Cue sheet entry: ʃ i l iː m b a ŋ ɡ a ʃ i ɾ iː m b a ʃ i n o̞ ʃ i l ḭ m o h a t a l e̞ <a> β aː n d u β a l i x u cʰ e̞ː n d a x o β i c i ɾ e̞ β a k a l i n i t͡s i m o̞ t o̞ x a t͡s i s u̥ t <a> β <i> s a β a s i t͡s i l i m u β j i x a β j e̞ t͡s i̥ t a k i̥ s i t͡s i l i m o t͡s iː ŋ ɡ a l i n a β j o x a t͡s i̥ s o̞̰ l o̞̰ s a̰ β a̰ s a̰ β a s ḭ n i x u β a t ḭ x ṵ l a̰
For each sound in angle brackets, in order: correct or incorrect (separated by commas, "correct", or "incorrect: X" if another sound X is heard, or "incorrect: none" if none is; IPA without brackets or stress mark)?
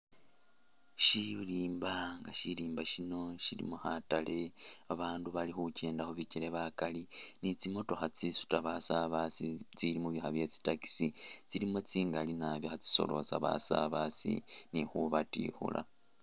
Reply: correct, correct, incorrect: a